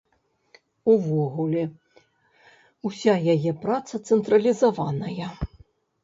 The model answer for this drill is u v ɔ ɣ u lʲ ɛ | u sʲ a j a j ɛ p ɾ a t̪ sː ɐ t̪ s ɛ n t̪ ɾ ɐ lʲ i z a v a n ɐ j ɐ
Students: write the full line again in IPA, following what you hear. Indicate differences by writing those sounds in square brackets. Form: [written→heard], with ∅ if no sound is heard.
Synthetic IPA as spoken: u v ɔ ɣ u lʲ ɛ | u sʲ a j a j ɛ p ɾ a t̪ [sː→s] ɐ t̪ s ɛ n t̪ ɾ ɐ lʲ i z a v a n ɐ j ɐ